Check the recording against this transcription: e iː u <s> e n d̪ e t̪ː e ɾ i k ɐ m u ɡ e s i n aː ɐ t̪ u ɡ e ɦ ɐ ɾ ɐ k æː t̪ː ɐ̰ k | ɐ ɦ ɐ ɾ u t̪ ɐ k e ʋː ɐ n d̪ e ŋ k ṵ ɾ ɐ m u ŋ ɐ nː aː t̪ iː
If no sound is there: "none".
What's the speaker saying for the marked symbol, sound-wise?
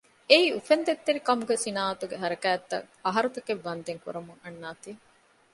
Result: f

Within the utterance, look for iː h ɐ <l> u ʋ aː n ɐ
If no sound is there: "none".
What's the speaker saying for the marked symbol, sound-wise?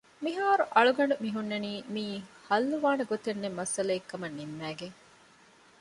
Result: lː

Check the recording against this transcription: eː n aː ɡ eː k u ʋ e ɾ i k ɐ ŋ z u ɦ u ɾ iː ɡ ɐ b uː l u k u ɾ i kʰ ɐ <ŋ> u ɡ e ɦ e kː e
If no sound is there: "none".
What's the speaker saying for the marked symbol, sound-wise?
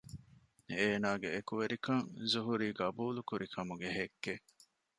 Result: m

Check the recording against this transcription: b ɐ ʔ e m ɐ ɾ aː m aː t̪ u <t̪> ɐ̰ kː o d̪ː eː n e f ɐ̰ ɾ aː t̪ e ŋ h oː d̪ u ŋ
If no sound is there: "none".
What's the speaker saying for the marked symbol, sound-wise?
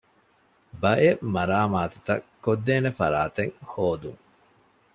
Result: t̪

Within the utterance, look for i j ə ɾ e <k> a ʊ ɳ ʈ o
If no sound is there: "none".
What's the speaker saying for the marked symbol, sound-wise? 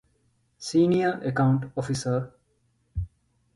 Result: k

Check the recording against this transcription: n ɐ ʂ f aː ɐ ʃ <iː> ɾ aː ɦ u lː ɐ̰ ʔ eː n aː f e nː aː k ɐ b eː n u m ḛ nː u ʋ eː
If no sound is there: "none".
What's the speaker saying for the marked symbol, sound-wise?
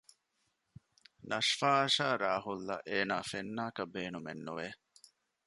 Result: aː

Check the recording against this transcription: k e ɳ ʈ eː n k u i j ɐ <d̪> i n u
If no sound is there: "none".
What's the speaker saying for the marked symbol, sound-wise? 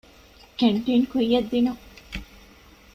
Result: d̪ː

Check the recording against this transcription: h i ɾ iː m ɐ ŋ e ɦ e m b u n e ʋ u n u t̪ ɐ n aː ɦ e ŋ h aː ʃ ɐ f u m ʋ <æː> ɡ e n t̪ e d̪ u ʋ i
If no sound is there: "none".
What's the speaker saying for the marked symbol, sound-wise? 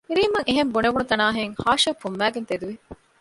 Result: æː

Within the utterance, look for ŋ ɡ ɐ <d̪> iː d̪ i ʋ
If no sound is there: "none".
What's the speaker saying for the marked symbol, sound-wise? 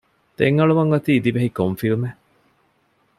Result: t̪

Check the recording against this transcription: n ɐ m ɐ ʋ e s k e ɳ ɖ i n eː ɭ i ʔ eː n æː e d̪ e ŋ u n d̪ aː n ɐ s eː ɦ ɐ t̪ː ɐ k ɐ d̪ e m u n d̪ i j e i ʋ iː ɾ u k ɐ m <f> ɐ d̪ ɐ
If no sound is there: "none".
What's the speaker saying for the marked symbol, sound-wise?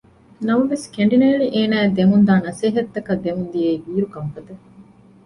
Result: f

